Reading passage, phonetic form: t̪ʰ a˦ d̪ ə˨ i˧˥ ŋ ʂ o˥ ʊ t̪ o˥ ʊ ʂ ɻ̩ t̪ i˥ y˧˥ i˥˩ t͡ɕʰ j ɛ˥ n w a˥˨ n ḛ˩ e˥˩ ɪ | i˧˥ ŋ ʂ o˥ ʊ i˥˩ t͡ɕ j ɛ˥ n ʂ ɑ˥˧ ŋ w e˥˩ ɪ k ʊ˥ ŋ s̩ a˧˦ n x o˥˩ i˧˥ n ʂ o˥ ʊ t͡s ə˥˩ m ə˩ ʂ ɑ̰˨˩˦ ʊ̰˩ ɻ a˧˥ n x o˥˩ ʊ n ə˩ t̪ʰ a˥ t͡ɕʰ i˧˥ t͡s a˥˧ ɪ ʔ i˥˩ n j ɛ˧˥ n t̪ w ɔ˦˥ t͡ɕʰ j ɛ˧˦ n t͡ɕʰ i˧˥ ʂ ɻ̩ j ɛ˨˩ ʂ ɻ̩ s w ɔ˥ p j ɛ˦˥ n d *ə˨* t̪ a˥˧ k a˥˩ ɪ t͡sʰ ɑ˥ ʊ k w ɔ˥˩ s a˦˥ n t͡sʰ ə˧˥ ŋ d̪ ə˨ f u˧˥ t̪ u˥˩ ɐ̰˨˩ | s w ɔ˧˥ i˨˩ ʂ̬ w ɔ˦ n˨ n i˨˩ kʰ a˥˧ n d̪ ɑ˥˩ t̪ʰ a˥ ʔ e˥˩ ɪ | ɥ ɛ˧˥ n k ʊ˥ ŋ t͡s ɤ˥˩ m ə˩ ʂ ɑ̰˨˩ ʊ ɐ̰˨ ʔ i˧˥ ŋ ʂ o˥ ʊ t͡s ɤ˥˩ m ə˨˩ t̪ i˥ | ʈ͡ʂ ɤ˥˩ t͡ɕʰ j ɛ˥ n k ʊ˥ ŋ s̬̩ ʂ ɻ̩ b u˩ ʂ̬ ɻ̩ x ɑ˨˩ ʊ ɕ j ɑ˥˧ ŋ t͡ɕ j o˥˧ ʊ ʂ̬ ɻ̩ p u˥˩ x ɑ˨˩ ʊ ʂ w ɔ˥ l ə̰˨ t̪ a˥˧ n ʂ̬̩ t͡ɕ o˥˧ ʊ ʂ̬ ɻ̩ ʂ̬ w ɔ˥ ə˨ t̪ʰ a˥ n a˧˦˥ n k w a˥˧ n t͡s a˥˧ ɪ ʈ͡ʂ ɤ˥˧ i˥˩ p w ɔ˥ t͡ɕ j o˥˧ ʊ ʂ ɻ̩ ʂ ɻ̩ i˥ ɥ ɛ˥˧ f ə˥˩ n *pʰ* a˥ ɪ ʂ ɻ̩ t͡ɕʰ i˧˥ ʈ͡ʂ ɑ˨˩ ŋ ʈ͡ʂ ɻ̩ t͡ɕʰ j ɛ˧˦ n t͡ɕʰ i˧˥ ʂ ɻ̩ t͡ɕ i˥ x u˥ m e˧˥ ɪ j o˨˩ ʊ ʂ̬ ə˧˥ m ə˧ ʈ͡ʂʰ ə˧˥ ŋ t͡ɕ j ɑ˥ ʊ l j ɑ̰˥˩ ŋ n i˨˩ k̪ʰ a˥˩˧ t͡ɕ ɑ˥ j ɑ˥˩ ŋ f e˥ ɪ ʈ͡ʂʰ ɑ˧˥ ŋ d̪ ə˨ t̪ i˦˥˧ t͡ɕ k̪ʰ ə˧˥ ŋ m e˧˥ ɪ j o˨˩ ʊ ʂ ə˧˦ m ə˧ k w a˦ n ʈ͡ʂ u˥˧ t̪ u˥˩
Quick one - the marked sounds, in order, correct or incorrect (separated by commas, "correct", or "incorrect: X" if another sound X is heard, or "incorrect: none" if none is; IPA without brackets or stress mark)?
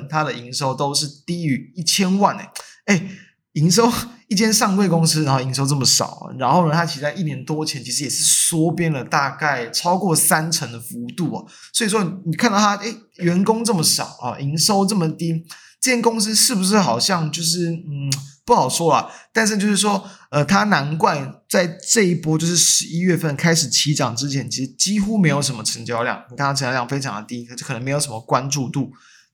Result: correct, incorrect: kʰ